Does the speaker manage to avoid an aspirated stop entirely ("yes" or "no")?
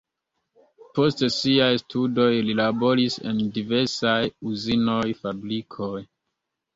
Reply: no